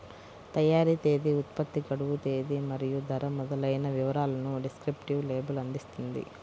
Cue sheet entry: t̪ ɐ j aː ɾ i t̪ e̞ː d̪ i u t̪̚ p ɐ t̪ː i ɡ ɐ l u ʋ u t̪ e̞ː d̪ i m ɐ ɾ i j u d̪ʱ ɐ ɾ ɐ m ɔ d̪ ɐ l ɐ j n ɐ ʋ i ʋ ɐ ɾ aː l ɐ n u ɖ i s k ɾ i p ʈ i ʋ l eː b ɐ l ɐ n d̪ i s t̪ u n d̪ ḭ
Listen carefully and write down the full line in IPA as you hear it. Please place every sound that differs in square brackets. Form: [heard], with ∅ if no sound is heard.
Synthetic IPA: t̪ ɐ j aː ɾ i t̪ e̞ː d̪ i u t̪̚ p ɐ t̪ː i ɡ ɐ [ɽ] u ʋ u t̪ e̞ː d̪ i m ɐ ɾ i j u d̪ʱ ɐ ɾ ɐ m ɔ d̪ ɐ l ɐ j n ɐ ʋ i ʋ ɐ ɾ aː l ɐ n u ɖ i s k ɾ i p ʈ i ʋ l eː b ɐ l ɐ n d̪ i s t̪ u n d̪ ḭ